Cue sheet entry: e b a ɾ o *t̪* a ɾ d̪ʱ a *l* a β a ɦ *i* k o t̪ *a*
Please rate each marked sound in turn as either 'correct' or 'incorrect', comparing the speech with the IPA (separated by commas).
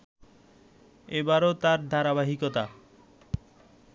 correct, incorrect, correct, correct